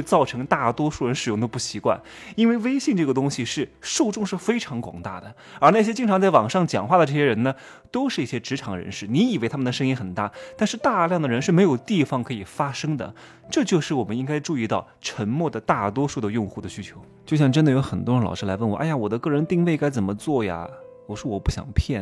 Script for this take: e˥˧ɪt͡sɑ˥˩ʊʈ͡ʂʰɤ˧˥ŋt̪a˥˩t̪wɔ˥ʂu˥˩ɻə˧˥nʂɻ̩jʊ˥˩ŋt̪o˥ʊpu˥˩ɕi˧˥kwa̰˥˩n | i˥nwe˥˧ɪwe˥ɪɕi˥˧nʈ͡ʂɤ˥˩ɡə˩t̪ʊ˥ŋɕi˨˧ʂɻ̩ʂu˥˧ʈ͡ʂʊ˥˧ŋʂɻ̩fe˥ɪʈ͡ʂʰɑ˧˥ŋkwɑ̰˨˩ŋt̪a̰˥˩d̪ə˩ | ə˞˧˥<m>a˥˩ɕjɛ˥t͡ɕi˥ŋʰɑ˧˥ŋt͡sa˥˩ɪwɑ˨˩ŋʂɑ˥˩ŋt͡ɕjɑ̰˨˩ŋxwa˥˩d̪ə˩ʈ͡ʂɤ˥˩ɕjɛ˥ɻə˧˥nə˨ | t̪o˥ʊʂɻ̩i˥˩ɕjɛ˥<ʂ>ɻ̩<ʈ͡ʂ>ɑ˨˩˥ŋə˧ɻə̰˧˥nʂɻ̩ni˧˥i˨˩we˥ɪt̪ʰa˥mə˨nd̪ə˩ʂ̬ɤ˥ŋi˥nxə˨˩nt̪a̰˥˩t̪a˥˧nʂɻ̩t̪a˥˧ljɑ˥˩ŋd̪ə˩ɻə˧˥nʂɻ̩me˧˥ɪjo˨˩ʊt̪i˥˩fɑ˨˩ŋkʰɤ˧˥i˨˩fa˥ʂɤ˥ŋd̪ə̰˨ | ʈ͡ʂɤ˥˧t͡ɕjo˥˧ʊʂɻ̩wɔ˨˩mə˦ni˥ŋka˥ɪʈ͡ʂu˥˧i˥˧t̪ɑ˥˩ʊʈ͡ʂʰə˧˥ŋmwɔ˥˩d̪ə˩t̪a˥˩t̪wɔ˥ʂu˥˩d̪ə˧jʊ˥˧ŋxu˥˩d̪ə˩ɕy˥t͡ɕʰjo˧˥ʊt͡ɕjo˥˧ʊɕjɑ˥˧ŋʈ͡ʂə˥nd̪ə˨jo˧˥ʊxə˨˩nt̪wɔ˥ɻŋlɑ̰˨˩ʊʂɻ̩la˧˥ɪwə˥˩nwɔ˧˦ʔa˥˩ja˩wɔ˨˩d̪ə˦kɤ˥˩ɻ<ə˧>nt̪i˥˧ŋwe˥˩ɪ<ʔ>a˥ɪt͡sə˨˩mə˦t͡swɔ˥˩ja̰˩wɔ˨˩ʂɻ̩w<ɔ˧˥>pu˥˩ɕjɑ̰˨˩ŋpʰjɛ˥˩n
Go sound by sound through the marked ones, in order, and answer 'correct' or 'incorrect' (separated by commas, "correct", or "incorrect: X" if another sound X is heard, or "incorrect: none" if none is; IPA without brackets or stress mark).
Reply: incorrect: n, incorrect: ʈ͡ʂ, incorrect: ʈ͡ʂʰ, incorrect: ə˧˥, incorrect: k, incorrect: ɔ˨˩